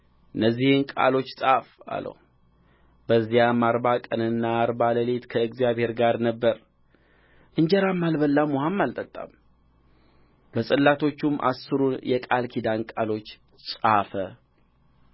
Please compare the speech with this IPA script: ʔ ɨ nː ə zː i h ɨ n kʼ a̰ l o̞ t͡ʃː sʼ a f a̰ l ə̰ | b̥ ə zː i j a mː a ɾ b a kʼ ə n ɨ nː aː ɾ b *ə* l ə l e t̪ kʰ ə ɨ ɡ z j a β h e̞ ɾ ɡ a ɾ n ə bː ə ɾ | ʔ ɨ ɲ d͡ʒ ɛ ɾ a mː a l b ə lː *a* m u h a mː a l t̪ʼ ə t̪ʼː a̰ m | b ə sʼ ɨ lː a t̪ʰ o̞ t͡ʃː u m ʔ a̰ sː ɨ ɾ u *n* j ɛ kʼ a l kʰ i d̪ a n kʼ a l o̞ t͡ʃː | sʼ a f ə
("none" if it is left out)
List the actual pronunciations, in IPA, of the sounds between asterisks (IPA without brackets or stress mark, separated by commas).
a, a, n